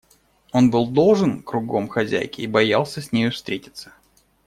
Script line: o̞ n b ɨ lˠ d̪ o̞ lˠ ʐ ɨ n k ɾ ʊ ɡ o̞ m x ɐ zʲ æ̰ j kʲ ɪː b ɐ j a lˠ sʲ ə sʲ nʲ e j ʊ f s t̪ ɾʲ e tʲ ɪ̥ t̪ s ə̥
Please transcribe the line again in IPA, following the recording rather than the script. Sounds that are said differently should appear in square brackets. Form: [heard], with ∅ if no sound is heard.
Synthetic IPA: o̞ n b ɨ lˠ d̪ o̞ lˠ ʐ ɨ n k ɾ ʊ ɡ o̞ m x ɐ zʲ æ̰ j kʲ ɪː b ɐ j a lˠ sʲ ə sʲ nʲ e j ʊ f s t̪ ɾʲ e tʲ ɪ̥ t̪ s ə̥